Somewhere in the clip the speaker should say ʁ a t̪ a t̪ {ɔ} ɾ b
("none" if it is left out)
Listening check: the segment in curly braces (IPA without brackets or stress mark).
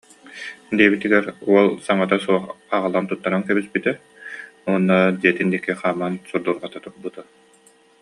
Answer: u